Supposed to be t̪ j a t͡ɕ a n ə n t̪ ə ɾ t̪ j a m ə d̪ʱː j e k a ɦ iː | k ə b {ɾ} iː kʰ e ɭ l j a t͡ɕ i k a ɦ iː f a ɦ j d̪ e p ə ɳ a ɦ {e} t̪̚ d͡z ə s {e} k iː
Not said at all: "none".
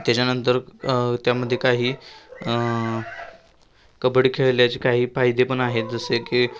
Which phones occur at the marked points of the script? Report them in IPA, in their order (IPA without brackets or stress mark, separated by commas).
ɽ, e, e